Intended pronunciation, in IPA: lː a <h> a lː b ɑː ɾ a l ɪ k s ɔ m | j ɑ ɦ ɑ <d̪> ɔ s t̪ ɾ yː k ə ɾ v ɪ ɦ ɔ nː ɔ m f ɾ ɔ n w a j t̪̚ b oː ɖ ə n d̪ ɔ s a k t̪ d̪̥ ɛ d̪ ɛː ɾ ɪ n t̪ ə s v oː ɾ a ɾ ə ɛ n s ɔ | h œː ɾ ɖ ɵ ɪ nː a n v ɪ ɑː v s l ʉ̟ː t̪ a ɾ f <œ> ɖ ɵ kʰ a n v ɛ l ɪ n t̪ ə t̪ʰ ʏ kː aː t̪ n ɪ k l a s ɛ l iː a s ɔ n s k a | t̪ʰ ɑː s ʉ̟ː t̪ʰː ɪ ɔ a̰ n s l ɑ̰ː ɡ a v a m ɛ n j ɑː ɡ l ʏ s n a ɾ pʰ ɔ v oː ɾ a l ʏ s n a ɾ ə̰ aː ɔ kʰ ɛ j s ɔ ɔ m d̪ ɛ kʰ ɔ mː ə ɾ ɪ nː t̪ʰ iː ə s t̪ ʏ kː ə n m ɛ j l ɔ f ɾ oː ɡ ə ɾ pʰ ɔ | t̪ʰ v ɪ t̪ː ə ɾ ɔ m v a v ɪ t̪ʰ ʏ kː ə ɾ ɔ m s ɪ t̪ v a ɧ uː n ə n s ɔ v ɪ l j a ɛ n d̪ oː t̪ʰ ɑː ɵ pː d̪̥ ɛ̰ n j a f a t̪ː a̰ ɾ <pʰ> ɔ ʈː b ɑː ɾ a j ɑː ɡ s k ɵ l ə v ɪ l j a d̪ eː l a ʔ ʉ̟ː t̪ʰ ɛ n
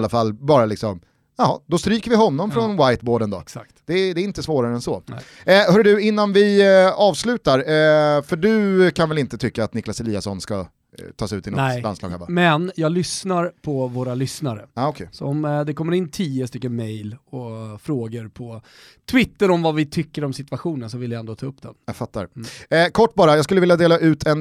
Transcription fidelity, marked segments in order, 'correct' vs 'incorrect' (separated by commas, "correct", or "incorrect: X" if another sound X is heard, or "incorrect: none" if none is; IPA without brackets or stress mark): incorrect: f, correct, correct, incorrect: kʰ